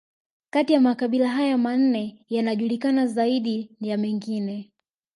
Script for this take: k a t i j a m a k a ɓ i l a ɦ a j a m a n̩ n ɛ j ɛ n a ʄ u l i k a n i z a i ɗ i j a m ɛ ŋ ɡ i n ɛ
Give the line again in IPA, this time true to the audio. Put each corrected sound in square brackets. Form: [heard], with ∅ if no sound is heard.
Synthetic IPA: k a t i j a m a k a ɓ i l a ɦ a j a m a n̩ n ɛ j [a] n a ʄ u l i k a n [a] z a i ɗ i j a m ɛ ŋ ɡ i n ɛ